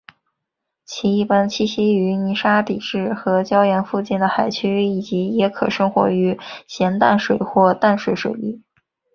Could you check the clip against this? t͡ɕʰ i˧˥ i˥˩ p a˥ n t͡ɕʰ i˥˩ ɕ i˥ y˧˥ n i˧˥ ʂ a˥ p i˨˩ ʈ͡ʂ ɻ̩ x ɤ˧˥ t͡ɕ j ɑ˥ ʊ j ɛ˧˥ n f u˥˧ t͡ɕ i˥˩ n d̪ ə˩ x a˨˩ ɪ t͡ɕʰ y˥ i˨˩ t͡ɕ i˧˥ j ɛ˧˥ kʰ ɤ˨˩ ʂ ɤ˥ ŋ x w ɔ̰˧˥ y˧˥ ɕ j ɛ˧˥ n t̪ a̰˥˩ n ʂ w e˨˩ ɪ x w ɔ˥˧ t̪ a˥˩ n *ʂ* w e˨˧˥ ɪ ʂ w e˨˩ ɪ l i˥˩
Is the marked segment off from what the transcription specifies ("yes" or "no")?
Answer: no